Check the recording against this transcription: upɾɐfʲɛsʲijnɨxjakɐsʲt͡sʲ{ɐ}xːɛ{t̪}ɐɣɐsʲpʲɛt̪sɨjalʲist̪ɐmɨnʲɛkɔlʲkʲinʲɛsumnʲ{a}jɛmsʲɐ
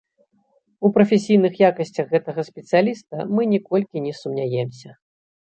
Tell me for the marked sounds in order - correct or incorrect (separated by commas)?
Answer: correct, correct, correct